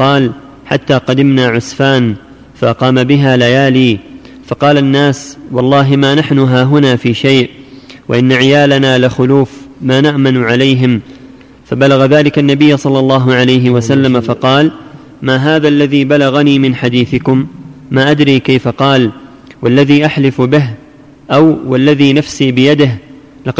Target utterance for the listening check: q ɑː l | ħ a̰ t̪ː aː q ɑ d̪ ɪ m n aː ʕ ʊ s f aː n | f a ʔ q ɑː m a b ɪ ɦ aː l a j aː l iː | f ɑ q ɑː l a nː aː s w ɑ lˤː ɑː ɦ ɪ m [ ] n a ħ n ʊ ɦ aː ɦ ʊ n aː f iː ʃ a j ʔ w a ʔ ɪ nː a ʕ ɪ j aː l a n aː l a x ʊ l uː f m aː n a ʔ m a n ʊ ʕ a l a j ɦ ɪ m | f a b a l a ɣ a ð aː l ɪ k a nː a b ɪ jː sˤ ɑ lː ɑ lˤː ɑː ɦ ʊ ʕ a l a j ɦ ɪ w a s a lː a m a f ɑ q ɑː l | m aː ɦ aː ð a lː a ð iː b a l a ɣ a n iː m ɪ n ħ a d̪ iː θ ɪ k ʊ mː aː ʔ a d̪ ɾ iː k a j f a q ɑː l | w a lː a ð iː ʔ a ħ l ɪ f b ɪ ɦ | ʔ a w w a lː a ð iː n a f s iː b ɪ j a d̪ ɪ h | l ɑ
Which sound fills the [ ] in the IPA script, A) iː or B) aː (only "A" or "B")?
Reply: B